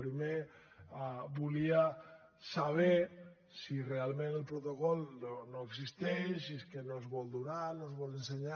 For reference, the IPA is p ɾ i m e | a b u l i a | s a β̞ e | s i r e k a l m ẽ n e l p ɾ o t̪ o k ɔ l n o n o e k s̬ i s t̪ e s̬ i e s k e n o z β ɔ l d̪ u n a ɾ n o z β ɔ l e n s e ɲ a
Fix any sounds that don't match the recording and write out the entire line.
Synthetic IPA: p ɾ i m e | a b u l i a | s a β̞ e | s i r e a l m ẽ n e l p ɾ o t̪ o k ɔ l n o n o e k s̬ i s t̪ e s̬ i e s k e n o z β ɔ l d̪ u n a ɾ n o z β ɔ l e n s e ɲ a